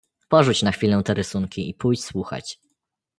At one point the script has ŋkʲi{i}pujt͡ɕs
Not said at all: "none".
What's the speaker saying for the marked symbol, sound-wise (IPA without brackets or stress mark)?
i